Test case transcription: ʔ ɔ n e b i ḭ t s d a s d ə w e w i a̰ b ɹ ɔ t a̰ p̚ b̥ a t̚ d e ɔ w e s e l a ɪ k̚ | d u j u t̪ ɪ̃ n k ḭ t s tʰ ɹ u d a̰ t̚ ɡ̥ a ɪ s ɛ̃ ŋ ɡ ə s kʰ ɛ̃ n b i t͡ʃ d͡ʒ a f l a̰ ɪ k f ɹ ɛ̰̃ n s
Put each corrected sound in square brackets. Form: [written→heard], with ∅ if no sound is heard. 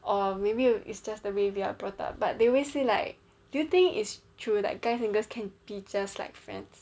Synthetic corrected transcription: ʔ ɔ [n→m] e b i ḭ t s [d→d͡ʒ] a s d ə w e w i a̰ b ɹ ɔ t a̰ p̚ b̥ a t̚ d e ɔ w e s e l a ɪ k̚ | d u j u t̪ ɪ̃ [n→ŋ] k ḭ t s tʰ ɹ u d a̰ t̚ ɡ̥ a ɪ s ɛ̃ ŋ ɡ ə s kʰ ɛ̃ n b i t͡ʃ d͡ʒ a [f→s] l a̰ ɪ k f ɹ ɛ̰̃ n s